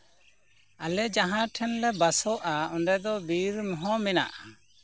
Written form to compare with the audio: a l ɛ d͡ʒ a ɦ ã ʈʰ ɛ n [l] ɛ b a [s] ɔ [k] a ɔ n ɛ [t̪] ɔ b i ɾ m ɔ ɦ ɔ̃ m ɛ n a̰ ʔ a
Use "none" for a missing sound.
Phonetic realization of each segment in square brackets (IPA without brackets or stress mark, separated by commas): l, s, ʔ, d̪